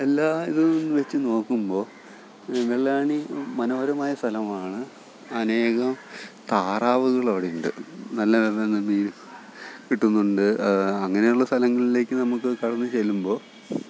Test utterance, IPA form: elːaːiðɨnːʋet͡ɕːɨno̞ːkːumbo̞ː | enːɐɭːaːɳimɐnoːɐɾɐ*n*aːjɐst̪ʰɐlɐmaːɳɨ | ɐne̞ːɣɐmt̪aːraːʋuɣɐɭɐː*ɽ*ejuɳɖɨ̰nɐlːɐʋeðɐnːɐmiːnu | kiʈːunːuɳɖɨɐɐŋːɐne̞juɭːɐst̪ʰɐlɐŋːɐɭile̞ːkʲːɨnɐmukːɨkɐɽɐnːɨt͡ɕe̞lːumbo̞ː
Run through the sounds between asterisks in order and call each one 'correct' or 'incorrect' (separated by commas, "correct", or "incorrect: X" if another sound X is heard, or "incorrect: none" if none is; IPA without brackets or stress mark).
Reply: incorrect: m, correct